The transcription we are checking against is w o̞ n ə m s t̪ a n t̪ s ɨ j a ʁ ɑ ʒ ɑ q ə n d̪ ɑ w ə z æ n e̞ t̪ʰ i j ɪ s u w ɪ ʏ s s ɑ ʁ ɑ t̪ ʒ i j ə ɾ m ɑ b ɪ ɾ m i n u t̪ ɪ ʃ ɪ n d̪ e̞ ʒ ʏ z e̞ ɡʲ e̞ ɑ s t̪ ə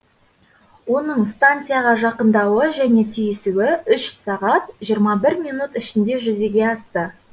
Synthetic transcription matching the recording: w o̞ n ə ɴ s t̪ a n t̪ s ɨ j a ʁ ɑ ʒ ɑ q ə n d̪ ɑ w ə ʒ æ n e̞ t̪ʰ i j ɪ s u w ɪ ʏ ʃ s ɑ ʁ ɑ t̪ ʒ i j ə ɾ m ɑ b ɪ ɾ m i n u t̪ ɪ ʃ ɪ n d̪ e̞ ʒ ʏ z e̞ ɡʲ e̞ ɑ s t̪ ə